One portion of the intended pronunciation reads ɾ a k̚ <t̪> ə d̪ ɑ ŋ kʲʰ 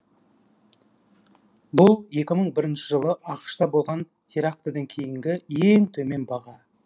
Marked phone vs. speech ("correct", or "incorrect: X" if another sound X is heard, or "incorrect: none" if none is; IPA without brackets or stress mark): correct